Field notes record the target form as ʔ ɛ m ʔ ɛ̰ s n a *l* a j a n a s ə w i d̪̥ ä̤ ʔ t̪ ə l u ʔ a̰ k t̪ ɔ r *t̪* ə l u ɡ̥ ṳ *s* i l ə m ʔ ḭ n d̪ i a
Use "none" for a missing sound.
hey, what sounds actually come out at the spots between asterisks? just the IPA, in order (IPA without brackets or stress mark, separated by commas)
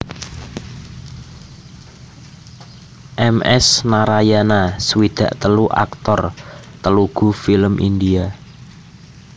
ɾ, t̪, f